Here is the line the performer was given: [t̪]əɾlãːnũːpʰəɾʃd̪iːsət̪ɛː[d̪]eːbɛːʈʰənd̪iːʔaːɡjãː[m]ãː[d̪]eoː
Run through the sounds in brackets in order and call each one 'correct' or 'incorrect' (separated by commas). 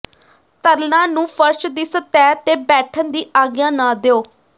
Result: correct, incorrect, incorrect, correct